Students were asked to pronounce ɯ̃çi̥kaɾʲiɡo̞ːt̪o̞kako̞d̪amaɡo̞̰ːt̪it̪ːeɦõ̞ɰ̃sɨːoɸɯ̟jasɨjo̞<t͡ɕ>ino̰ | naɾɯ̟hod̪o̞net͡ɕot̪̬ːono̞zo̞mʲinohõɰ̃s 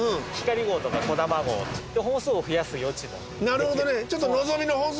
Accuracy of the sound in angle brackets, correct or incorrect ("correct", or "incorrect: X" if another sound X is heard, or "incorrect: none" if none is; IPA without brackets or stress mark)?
correct